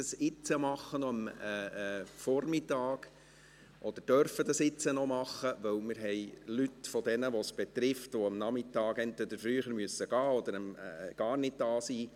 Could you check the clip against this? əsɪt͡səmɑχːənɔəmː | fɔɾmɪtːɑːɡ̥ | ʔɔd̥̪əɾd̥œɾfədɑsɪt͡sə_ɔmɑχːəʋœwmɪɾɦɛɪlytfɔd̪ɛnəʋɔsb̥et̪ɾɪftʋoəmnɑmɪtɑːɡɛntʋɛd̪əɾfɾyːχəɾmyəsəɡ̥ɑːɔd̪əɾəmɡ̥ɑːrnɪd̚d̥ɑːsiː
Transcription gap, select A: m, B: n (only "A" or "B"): B